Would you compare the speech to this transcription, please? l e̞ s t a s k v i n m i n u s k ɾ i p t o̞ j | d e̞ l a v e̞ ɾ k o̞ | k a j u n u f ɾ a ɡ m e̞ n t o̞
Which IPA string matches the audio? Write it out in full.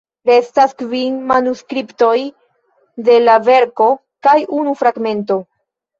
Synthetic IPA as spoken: ɾ e̞ s t a s k v i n m a n u s k ɾ i p t o̞ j | d e̞ l a v e̞ ɾ k o̞ | k a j u n u f ɾ a ɡ m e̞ n t o̞